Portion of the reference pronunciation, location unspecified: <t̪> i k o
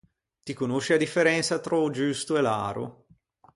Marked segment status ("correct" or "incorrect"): correct